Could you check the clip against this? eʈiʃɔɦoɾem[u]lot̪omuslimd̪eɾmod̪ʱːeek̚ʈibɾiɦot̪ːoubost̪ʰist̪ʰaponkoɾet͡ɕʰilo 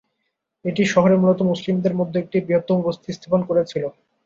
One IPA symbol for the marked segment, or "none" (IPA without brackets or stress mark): u